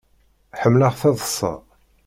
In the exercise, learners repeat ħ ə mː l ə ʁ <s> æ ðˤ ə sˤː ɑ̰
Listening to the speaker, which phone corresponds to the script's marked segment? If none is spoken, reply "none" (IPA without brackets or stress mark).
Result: θ